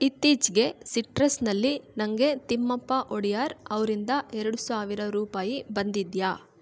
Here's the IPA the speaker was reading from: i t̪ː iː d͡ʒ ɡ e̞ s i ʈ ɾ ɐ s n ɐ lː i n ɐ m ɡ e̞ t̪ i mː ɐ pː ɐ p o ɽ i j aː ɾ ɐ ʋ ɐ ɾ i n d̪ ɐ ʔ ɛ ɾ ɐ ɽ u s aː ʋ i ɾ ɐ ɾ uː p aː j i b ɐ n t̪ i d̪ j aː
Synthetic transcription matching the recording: i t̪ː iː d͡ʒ ɡ e̞ s i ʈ ɾ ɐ s n ɐ lː i n ɐ ŋ ɡ e̞ t̪ i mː ɐ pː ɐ ʔ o ɽ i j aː ɾ ɐ ʋ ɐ ɾ i n d̪ ɐ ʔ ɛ ɾ ɐ ɽ u s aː ʋ i ɾ ɐ ɾ uː p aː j i b ɐ n d̪ i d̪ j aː